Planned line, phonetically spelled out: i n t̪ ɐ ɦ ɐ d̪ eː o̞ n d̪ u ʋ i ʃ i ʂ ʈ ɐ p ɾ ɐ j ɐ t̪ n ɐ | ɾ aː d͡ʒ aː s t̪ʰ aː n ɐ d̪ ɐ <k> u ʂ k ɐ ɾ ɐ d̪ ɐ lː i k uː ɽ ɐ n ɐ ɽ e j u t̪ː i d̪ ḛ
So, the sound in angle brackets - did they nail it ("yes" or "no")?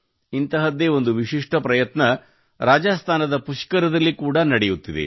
no